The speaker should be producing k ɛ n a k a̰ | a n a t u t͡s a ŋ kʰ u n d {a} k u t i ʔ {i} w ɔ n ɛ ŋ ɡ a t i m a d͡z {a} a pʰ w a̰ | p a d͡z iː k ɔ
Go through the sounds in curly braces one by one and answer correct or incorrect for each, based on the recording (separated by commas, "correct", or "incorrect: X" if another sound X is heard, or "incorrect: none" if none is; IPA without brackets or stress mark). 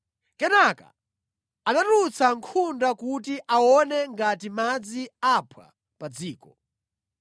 correct, incorrect: a, incorrect: i